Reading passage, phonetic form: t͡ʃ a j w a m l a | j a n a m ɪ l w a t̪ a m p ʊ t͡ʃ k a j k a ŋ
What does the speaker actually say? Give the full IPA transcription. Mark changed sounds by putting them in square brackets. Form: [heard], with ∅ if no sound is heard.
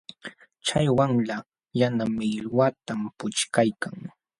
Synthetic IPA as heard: t͡ʃ a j w a [ŋ] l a | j a n a m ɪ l w a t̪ a m p ʊ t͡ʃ k a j k a ŋ